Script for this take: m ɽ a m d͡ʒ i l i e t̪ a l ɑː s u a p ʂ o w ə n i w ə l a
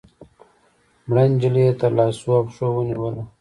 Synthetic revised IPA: m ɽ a n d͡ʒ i l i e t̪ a l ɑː s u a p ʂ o w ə n i w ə l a